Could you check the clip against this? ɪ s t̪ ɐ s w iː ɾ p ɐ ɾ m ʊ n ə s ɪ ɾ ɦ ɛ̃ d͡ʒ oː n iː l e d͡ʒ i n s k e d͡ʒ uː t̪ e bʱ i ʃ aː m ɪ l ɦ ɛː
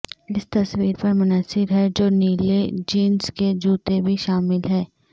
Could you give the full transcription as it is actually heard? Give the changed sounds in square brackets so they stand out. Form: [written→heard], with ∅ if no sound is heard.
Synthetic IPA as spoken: ɪ s t̪ ɐ s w iː ɾ p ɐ ɾ m ʊ n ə s ɪ ɾ ɦ [ɛ̃→ɛ] d͡ʒ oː n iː l e d͡ʒ [i→iː] n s k e d͡ʒ uː t̪ e bʱ i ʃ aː m ɪ l ɦ ɛː